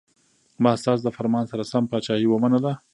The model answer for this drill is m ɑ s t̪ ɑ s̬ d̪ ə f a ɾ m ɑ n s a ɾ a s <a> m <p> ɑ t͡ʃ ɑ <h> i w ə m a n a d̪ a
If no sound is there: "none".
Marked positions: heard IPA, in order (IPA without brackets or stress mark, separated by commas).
a, p, h